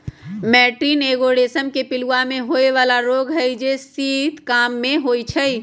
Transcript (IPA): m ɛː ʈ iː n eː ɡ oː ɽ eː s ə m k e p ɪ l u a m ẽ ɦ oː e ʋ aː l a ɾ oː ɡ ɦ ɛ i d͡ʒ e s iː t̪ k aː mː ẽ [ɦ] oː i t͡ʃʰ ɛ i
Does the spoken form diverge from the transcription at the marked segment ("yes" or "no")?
no